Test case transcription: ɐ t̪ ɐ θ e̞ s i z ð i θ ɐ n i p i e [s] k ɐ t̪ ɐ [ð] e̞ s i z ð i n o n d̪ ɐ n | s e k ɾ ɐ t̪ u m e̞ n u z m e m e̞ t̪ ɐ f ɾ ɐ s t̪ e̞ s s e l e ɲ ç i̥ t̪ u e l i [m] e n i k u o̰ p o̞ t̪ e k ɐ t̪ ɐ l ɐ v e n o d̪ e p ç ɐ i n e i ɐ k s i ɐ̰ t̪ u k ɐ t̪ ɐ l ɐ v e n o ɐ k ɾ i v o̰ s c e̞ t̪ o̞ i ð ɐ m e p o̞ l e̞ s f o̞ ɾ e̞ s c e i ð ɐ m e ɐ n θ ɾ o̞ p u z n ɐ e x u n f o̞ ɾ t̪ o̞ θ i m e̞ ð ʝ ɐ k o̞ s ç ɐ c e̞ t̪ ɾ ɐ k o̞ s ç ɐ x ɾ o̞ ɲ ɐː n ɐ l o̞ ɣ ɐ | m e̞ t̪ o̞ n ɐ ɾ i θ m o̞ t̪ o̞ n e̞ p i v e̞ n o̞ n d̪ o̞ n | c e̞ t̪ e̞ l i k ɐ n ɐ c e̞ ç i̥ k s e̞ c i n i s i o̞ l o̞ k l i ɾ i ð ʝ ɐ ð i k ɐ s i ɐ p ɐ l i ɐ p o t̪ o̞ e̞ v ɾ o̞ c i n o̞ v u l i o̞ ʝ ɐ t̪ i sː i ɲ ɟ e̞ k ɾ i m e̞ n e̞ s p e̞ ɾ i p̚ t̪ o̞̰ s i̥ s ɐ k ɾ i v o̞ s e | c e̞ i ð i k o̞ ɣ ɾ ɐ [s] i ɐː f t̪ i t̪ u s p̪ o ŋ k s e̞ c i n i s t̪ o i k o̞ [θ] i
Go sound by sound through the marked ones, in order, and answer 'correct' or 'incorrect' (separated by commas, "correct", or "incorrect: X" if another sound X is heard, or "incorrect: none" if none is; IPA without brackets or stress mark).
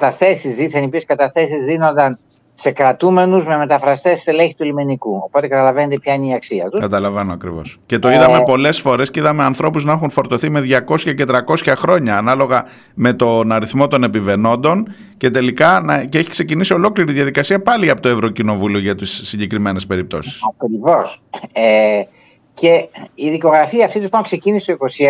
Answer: correct, incorrect: θ, correct, incorrect: f, incorrect: s